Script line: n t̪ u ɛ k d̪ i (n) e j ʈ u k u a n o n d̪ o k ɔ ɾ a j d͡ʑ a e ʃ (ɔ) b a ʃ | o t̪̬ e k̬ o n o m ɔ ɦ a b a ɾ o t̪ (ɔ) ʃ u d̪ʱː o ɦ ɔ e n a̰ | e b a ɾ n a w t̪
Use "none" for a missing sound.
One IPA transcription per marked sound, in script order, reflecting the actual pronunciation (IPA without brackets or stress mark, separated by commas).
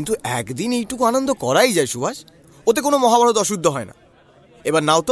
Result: n, u, ɔ